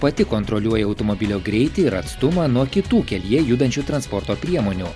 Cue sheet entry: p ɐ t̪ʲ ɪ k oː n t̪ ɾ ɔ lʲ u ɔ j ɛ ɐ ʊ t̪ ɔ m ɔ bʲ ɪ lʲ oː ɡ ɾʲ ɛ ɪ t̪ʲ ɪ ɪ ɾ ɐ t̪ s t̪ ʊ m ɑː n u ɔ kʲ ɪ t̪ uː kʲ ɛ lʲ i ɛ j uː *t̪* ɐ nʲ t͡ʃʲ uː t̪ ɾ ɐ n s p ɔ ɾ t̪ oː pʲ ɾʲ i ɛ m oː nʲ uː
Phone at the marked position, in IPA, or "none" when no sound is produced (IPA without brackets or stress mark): d̪